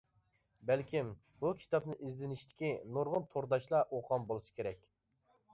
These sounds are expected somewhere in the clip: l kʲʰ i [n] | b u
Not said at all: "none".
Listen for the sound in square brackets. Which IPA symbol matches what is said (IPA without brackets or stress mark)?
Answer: m